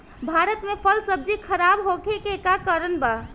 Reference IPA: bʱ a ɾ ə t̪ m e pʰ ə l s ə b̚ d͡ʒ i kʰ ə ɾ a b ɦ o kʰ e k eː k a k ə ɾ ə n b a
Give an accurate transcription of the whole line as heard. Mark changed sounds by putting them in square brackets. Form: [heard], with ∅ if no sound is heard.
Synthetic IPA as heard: bʱ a ɾ ə t̪ m e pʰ ə l s ə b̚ d͡ʒ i kʰ ə ɾ a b ɦ o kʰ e k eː k a k ə ɾ ə n b a